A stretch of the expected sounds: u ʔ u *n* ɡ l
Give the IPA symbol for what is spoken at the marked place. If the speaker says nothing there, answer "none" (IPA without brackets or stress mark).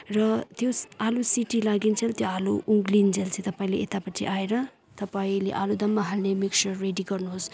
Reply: ŋ